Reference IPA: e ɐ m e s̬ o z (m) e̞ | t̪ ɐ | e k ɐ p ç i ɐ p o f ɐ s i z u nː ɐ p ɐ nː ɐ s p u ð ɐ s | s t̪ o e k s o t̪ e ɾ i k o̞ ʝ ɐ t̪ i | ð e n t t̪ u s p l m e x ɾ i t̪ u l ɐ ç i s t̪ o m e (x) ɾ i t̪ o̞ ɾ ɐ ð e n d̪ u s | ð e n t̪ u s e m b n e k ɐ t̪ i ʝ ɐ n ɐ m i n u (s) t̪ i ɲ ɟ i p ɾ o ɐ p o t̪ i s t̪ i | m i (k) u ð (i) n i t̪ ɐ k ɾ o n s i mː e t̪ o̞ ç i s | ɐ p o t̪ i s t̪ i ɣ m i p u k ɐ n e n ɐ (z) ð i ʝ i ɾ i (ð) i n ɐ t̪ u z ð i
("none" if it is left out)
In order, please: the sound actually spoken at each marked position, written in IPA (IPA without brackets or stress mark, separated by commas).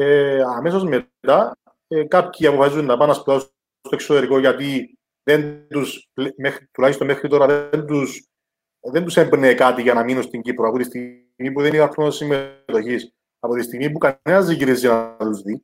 m, x, s, p, e, z, z